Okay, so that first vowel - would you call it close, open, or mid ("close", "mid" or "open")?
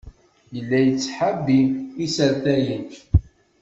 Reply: mid